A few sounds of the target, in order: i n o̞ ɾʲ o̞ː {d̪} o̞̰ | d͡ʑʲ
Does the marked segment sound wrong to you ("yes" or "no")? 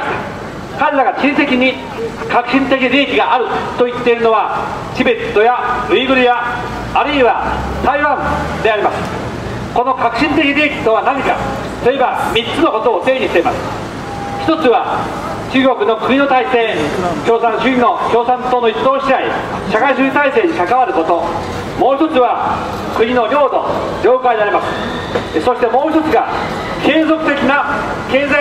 no